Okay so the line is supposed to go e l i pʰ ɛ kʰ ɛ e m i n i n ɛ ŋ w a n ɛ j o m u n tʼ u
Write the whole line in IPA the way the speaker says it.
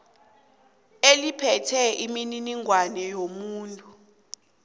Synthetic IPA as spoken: e l i pʰ ɛ tʰ ɛ i m i n i n i ŋ w a n ɛ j o m uː n tʼ u

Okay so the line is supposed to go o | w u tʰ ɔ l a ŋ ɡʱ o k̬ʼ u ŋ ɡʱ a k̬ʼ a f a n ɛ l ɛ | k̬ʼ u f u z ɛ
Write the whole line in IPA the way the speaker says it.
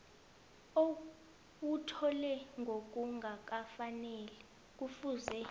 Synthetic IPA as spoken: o | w u tʰ ɔ l ɛ ŋ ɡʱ o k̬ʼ u ŋ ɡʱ a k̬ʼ a f a n ɛ l ɛ | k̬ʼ u f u z ɛ

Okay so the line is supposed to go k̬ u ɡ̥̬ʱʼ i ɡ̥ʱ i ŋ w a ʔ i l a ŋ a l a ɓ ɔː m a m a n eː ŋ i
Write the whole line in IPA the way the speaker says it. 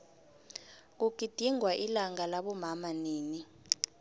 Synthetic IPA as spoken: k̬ u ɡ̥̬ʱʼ i d̥ʱ i ŋ w a ʔ i l a ŋ a l a ɓ ɔ m a m a n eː n i

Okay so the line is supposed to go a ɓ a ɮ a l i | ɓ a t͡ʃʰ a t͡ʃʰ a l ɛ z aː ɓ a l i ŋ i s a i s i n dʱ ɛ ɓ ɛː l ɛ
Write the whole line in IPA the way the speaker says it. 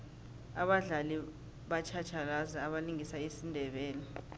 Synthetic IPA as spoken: a ɓ a ɮ a l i | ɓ a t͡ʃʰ a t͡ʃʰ a l a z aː ɓ a l i ŋ i s a i s i n dʱ ɛ ɓ ɛː l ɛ

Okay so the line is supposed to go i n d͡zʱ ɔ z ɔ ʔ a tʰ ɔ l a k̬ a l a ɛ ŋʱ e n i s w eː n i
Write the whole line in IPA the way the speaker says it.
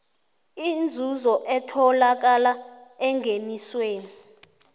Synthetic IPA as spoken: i n d͡zʱ u z ɔ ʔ ɛ tʰ ɔ l a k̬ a l a ɛ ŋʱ e n i s w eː n i

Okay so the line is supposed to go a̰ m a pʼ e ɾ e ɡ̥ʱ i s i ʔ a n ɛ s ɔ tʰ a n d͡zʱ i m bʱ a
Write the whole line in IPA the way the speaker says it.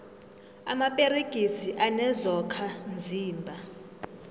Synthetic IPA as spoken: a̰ m a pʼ e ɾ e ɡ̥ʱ i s i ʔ a n ɛ z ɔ kʰ a n d͡zʱ iː m bʱ a

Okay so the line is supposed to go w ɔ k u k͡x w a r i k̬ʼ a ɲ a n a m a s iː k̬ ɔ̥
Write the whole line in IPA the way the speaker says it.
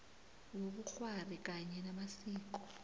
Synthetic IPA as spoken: w o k u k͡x w a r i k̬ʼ a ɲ ɛ n a m a s iː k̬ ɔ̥

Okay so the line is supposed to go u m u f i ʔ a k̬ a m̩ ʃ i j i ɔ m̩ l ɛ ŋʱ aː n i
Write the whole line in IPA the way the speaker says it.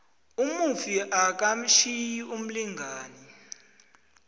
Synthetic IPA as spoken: u m u f i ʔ a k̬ a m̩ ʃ i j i u m̩ l i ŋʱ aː n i

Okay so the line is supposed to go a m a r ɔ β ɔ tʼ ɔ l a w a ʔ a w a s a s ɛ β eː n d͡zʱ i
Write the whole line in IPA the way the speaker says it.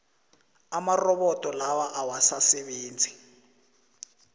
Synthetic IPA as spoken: a m a r ɔ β ɔ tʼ ɔ l a w a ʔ a w a s a s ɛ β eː n d͡zʱ i

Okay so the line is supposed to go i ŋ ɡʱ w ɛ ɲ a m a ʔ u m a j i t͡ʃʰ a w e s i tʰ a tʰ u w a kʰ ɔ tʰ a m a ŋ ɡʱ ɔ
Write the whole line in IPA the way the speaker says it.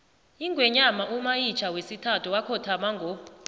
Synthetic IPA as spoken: i ŋ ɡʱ w ɛ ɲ a m a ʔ u m a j i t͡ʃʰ a w e s i tʰ a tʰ u w a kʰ ɔ tʰ a m a ŋ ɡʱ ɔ

